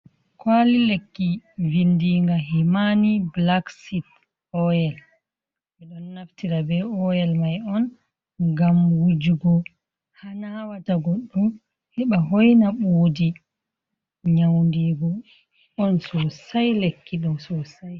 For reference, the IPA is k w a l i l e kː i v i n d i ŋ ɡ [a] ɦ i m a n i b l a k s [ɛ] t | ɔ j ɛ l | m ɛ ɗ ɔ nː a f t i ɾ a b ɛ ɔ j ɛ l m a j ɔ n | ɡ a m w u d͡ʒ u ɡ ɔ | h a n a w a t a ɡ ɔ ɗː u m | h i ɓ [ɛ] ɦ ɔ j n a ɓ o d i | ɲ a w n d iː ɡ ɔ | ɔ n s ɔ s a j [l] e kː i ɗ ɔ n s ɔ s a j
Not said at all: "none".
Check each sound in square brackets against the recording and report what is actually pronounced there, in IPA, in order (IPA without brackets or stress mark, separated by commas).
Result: a, i, a, l